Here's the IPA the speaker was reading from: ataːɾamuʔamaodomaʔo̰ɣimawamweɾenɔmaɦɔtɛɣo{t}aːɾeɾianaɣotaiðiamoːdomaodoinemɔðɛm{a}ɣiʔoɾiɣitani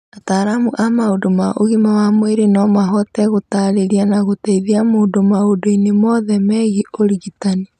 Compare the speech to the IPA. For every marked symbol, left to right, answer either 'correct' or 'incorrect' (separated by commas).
correct, incorrect